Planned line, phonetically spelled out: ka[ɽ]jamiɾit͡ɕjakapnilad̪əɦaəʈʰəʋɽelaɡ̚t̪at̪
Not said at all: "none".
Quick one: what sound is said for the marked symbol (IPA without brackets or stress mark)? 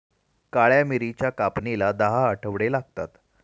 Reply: ɭ